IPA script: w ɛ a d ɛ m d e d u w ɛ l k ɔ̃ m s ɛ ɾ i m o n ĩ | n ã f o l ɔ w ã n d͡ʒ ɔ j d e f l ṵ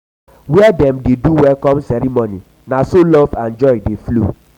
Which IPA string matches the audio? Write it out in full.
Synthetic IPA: w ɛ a d ɛ m d e d u w ɛ l k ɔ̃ m s ɛ ɾ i m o n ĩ | n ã s o l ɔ v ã n d͡ʒ ɔ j d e f l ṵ